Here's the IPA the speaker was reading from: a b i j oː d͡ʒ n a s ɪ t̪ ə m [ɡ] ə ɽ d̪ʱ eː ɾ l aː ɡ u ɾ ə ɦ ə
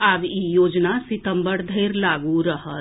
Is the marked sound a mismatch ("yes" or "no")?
yes